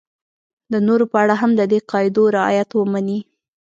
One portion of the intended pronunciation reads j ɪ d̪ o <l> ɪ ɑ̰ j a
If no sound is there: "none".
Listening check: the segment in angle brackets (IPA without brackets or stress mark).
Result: ɾ